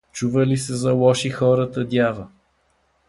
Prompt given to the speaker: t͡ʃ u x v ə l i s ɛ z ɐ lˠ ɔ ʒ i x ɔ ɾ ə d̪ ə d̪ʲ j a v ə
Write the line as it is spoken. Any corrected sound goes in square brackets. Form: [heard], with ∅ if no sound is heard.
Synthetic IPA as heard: t͡ʃ u [∅] v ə l i s ɛ z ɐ lˠ ɔ [ʃ] i x ɔ ɾ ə [t̪] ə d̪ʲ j a v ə